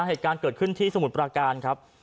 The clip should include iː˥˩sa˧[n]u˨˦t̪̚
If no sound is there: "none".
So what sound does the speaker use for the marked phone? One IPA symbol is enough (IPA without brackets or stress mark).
m